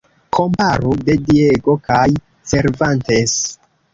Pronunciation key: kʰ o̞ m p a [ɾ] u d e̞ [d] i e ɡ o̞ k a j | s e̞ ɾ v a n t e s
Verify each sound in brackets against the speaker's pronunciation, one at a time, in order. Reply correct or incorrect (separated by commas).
correct, correct